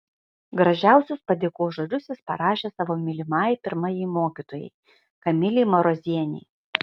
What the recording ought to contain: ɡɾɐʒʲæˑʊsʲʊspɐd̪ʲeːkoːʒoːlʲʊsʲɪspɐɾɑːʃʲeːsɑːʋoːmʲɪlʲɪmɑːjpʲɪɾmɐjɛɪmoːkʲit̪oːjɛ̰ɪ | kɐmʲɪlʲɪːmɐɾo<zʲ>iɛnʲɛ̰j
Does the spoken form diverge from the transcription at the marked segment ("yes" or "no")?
no